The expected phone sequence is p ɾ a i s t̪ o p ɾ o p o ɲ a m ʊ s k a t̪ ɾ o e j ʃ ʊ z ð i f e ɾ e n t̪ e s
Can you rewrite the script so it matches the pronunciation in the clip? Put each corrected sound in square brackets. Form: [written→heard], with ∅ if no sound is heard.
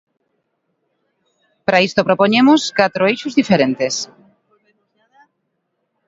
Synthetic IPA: p ɾ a i s t̪ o p ɾ o p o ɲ [a→e] m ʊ s k a t̪ ɾ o e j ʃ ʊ z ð i f e ɾ e n t̪ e s